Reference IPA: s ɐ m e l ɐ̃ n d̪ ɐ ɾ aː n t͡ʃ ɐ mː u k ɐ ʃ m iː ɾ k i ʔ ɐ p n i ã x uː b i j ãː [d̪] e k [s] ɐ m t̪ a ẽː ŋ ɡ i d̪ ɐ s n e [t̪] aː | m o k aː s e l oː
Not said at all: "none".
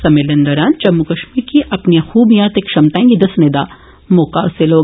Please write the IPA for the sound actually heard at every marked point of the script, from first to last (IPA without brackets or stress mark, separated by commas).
t̪, ʃ, d̪